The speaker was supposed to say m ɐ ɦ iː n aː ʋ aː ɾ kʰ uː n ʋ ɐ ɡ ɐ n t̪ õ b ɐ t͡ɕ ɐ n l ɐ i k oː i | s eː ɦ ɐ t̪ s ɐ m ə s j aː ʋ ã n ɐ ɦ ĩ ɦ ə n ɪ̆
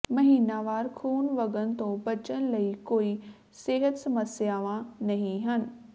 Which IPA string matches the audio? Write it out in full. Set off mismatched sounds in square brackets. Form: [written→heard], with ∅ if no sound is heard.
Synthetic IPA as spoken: m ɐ ɦ iː n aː ʋ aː ɾ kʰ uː n ʋ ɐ ɡ [ɐ→ə] n t̪ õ b ɐ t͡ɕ [ɐ→ə] n l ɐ i k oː i | s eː ɦ [ɐ→ə] t̪ s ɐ m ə s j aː ʋ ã n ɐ ɦ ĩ ɦ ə n ɪ̆